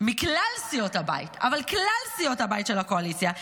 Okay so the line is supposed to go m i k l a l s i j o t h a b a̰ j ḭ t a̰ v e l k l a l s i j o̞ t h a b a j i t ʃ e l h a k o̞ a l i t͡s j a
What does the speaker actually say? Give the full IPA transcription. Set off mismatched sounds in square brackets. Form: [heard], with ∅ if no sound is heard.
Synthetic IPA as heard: m i k l a l s i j o t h a b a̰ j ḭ t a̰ v [a] l k l a l s i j o̞ t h a b a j i t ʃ e l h a k o̞ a l i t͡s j a